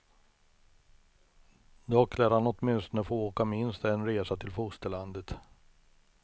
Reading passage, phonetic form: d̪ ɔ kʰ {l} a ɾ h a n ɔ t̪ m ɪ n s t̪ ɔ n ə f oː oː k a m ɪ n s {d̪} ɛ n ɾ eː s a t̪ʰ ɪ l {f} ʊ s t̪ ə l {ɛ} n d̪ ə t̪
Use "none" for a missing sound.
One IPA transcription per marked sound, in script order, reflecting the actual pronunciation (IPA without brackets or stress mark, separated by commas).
l, t̪, f, a